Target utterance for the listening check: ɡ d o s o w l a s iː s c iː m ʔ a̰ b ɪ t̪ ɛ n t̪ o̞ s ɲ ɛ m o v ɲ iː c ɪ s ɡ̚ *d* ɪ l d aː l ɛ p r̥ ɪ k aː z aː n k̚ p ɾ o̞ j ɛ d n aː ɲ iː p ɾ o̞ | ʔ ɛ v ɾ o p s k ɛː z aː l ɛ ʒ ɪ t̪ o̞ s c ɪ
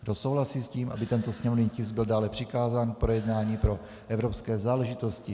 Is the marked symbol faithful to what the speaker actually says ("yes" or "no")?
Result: no